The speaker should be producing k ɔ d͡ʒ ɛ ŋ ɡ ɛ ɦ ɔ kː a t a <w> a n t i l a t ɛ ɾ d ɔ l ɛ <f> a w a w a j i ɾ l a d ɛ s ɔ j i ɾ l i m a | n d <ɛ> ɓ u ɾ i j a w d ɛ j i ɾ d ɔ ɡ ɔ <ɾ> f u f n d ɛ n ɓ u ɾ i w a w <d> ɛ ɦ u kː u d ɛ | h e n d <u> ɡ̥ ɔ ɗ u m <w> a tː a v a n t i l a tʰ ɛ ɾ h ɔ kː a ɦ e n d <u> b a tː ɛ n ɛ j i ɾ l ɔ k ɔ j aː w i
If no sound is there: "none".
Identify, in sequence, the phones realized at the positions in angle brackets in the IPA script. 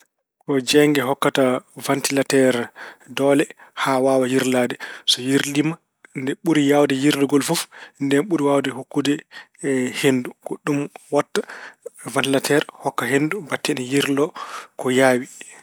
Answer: v, h, ɛ, l, d, u, w, u

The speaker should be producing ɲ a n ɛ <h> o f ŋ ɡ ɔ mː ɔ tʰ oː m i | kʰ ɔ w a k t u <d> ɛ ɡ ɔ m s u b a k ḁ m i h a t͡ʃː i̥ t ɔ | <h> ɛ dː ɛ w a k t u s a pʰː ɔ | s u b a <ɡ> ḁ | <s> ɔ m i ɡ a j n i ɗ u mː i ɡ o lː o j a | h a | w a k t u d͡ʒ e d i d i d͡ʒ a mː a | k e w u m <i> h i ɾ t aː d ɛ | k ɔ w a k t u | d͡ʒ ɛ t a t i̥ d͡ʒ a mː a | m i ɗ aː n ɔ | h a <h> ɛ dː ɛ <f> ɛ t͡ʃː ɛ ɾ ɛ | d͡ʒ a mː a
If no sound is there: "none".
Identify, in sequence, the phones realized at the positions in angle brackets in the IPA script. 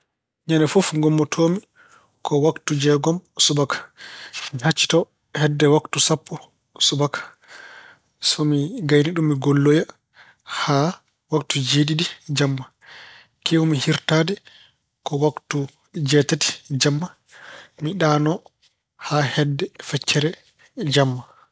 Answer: f, d͡ʒ, h, k, s, i, h, f

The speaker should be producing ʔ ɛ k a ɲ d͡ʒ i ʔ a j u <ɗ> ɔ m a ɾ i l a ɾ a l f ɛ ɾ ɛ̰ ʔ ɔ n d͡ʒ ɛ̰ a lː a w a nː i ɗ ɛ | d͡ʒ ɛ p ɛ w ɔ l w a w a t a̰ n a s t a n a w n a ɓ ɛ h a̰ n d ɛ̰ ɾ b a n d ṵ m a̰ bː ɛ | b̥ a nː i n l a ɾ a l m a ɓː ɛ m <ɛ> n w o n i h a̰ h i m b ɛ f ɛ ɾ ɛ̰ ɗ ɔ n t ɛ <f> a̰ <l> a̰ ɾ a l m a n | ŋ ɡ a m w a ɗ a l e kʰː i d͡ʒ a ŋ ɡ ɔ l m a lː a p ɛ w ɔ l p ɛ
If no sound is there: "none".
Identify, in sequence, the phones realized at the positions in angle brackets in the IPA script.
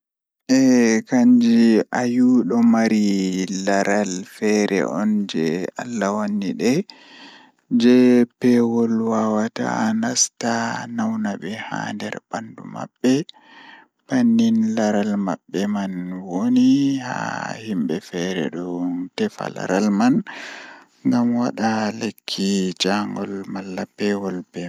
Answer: ɗ, a, f, l

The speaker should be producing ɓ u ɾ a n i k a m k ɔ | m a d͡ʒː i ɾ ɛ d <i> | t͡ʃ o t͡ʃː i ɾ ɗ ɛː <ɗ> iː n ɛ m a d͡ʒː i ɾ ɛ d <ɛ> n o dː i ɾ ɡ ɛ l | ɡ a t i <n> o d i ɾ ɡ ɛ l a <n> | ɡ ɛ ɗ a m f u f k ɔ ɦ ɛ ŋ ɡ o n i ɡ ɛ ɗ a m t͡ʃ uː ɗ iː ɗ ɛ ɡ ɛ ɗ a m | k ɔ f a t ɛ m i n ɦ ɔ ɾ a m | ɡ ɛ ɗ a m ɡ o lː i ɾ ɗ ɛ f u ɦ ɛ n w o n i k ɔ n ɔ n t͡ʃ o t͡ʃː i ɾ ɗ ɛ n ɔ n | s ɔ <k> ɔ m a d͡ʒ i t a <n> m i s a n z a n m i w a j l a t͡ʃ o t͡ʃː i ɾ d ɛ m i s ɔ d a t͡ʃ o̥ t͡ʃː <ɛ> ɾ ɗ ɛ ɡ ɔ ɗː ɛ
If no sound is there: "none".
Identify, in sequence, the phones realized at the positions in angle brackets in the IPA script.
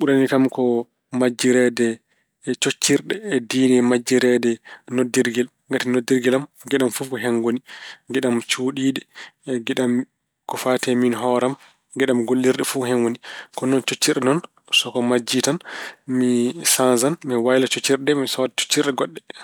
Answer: ɛ, d, ɛ, n, m, k, n, i

